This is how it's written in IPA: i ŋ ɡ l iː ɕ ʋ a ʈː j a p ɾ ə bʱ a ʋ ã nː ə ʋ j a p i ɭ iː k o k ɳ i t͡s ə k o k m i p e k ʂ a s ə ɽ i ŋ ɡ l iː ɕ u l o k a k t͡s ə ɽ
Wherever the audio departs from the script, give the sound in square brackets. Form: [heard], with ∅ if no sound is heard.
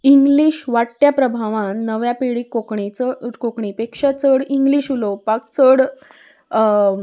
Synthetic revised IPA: i ŋ ɡ l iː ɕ ʋ a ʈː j a p ɾ ə bʱ a ʋ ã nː ə ʋ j a p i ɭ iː k o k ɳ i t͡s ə k o k [ɳ] i p e k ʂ a [t͡s] ə ɽ i ŋ ɡ l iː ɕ u l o [p] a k t͡s ə ɽ